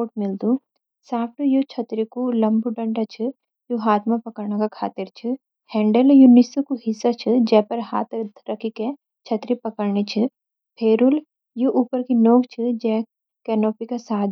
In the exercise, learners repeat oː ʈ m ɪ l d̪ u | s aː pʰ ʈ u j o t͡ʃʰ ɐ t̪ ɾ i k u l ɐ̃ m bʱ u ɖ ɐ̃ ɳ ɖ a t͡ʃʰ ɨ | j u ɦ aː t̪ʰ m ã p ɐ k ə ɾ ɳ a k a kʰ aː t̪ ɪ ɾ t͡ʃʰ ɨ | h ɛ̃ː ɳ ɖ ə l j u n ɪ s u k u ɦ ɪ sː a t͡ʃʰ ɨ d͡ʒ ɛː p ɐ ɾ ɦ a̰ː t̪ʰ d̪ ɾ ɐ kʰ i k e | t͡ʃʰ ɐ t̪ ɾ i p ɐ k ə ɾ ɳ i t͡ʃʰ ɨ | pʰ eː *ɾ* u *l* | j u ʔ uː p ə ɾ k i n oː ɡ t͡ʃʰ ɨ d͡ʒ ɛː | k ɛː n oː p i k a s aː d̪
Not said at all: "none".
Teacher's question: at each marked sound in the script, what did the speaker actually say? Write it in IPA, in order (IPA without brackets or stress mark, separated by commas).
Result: ɾ, l